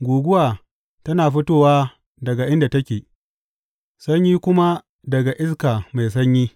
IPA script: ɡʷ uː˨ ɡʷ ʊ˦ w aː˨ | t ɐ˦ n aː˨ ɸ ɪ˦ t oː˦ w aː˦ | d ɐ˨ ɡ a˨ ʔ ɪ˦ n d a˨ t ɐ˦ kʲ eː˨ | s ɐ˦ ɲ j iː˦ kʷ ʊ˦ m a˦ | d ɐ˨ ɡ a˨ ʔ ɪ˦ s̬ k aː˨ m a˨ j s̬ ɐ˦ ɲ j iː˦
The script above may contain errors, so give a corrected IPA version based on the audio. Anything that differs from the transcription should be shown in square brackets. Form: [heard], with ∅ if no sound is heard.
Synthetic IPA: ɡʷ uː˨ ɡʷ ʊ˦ w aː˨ | t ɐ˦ n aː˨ ɸ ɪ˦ t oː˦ w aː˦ | d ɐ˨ ɡ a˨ ʔ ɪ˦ n d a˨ t ɐ˦ kʲ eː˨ | s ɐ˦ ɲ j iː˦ kʷ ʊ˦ m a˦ | d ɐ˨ ɡ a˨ ʔ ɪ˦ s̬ k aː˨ m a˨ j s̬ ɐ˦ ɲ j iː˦